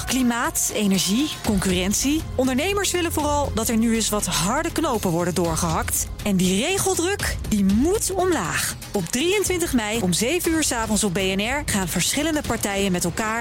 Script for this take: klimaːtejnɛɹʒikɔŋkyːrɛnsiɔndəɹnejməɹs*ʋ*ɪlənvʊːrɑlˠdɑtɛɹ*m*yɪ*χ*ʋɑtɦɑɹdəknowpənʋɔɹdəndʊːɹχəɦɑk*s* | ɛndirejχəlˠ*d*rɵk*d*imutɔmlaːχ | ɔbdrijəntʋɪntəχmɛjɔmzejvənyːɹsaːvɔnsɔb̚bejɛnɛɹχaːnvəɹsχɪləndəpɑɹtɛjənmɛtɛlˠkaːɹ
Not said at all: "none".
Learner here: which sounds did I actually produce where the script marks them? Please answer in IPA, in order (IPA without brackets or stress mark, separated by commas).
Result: ʋ, n, s, t, d, d